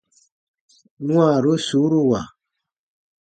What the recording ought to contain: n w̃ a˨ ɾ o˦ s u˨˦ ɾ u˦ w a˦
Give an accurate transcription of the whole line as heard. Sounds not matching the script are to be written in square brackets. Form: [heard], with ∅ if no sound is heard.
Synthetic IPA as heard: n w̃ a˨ ɾ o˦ s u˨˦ ɾ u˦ w [a˨]